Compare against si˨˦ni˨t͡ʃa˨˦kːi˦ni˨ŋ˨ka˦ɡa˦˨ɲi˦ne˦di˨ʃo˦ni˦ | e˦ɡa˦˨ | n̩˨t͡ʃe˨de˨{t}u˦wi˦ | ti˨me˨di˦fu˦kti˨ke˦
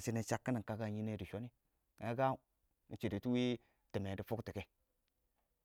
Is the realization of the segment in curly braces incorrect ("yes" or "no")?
no